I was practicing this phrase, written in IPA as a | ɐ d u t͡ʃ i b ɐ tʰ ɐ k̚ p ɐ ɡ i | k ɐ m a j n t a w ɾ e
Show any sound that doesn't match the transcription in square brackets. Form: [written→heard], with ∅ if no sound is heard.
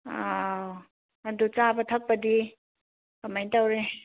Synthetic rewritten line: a | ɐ d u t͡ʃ [i→a] b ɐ tʰ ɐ k̚ p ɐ [ɡ→d] i | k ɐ m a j n t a w ɾ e

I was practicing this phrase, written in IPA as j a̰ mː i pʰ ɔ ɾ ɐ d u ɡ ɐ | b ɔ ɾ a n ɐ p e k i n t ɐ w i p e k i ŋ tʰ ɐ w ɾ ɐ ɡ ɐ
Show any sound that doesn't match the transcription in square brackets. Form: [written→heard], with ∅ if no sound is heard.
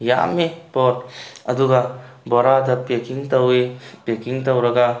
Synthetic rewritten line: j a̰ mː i [pʰ→p] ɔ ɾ ɐ d u ɡ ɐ | b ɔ ɾ a [n→d] ɐ p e k i [n→ŋ] t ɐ w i p e k i ŋ [tʰ→t] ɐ w ɾ ɐ ɡ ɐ

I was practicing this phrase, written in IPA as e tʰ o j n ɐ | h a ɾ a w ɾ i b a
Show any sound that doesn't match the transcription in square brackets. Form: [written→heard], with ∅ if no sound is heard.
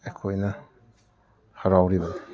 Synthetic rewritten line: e [tʰ→kʰ] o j n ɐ | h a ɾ a w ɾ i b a

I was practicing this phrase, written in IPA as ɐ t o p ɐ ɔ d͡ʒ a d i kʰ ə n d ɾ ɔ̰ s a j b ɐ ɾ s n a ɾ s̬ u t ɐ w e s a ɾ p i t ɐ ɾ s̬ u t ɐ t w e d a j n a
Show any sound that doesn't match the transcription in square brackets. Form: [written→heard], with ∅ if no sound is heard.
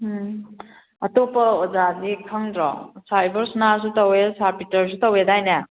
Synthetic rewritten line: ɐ t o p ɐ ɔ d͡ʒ a d i kʰ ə [n→ŋ] d ɾ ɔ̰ s a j b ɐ ɾ s n a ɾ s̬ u t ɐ w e s a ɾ p i t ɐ ɾ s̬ u t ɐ [t→∅] w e d a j n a

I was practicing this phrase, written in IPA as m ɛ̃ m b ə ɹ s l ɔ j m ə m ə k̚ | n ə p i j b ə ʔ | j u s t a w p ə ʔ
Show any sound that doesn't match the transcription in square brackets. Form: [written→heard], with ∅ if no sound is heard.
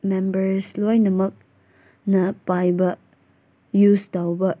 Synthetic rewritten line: m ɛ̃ m b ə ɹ s l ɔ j [m→n] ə m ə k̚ | n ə p [i→a] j b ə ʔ | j u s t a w [p→b] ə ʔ

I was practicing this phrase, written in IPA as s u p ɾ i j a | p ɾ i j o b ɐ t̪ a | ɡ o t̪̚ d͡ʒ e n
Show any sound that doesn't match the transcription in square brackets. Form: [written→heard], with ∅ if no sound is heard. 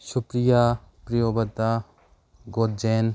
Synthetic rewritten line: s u p ɾ i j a | p ɾ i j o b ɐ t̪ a | ɡ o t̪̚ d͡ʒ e n

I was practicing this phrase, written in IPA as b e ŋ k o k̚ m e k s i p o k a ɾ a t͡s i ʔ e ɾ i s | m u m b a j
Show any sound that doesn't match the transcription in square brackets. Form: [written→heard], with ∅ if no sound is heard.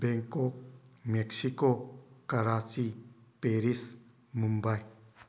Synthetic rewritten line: b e ŋ k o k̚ m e k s i [p→k] o k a ɾ a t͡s i [ʔ→p] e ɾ i s | m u m b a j

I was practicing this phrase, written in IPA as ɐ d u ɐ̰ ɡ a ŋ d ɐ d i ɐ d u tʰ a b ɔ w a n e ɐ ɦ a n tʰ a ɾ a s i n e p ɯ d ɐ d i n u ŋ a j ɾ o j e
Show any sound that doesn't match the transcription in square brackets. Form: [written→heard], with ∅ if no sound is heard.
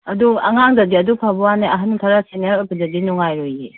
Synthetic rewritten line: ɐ d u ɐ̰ [ɡ→ŋ] a ŋ d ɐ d i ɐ d u [tʰ→pʰ] a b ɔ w a n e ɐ ɦ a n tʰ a ɾ a s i n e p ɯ d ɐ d i n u ŋ a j ɾ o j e

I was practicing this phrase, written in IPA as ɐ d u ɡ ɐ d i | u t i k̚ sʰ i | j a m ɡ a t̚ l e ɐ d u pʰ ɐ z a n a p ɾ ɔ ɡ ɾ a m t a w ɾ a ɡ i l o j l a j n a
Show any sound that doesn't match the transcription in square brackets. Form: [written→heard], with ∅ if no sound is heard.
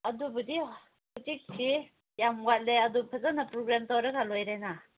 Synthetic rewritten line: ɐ d u [ɡ→b] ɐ d i | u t i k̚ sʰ i | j a m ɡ a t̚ l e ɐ d u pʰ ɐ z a n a p ɾ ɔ ɡ ɾ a m t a w ɾ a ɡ [i→a] l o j [l→ɾ] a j n a

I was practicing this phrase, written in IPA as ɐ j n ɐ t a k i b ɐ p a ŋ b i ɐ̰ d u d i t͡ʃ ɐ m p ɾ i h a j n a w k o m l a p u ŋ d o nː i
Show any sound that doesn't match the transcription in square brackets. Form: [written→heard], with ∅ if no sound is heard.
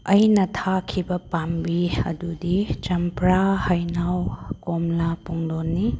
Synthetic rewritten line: ɐ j n ɐ [t→tʰ] a [k→kʰ] i b ɐ p a [ŋ→m] b i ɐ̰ d u d i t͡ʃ ɐ m p ɾ [i→a] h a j n a w k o m l a p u ŋ d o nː i

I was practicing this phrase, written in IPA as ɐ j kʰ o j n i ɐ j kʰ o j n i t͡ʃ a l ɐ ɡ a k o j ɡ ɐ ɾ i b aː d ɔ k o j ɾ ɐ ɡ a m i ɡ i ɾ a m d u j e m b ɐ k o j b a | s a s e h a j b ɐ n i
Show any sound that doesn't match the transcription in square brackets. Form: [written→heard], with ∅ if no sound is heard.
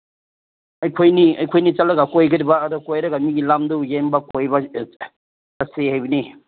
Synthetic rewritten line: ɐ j kʰ o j n i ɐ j kʰ o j n i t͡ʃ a l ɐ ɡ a k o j ɡ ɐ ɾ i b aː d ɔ k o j ɾ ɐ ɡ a m i ɡ i [ɾ→l] a m d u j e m b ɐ k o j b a | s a s e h a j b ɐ n i

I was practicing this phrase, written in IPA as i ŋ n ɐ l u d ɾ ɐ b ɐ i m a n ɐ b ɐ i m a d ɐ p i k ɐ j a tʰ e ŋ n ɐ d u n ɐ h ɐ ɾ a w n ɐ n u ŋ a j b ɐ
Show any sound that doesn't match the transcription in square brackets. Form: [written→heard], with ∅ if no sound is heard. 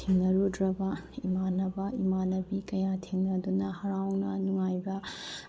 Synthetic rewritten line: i ŋ n ɐ [l→ɾ] u d ɾ ɐ b ɐ i m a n ɐ b ɐ i m a [d→n] ɐ [p→b] i k ɐ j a tʰ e ŋ n ɐ d u n ɐ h ɐ ɾ a w n ɐ n u ŋ a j b ɐ

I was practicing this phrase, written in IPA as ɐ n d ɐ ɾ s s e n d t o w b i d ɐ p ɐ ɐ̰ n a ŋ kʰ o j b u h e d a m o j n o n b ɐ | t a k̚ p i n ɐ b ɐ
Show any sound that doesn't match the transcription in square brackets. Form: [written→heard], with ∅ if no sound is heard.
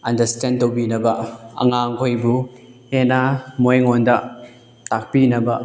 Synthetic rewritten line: ɐ n d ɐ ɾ s [s→t] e n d t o w b i [d→n] ɐ [p→b] ɐ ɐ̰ [n→ŋ] a ŋ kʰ o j b u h e [d→n] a m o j [n→ŋ] o n [b→d] ɐ | t a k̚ p i n ɐ b ɐ

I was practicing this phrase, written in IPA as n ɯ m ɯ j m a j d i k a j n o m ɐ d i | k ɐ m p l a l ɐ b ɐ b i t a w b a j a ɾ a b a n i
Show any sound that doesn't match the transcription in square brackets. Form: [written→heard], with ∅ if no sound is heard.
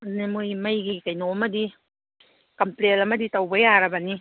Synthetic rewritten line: n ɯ m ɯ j m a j [d→ɡ] i k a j n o m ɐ d i | k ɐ m p l [a→e] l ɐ [b→m] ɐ [b→d] i t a w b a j a ɾ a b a n i

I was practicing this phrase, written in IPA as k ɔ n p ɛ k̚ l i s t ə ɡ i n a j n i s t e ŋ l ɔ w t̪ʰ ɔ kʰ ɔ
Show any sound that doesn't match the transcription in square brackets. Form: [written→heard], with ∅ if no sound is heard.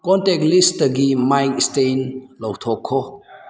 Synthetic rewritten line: k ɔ n [p→t] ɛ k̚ l i s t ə ɡ i [n→m] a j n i s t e [ŋ→n] l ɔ w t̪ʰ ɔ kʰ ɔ

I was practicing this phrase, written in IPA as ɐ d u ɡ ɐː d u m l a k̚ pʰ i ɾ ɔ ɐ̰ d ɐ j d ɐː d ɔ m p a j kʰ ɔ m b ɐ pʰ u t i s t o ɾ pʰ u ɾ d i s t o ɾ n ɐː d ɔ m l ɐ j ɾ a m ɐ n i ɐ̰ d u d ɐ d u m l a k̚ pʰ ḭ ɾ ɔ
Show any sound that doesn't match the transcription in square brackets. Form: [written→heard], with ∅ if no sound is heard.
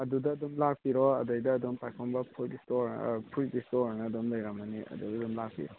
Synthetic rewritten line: ɐ d u [ɡ→d] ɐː d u m l a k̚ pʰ i ɾ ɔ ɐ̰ d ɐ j d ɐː d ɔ m p a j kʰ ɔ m b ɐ pʰ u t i s t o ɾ pʰ u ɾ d i s t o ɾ n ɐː d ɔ m l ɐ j ɾ a m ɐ n i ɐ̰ d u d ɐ d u m l a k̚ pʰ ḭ ɾ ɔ

